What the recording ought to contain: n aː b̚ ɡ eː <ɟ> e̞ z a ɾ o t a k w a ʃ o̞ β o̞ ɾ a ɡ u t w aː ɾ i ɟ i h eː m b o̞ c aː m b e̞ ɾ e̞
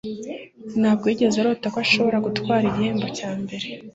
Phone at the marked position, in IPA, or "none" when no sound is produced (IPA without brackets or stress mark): ɟ